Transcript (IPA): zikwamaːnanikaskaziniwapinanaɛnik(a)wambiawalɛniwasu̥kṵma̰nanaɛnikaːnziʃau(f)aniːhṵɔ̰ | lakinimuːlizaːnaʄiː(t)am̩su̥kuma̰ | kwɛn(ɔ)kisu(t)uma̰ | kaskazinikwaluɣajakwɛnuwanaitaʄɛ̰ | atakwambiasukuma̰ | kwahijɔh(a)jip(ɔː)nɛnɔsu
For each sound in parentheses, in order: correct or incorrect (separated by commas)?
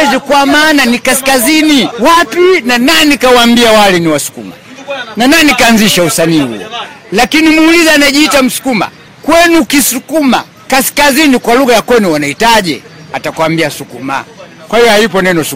correct, incorrect, correct, incorrect, incorrect, correct, incorrect